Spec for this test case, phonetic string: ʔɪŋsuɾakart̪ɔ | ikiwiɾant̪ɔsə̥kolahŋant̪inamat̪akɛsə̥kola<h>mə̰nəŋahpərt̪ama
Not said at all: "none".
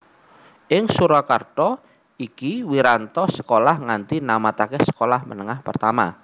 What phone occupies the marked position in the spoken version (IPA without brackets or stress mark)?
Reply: h